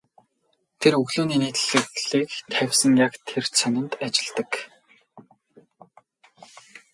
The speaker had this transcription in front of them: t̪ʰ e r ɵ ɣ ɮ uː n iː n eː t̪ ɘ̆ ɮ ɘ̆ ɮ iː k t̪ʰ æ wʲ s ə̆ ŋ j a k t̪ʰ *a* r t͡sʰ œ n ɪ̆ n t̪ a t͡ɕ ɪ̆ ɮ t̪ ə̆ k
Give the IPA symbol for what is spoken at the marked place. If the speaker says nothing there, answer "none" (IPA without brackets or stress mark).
e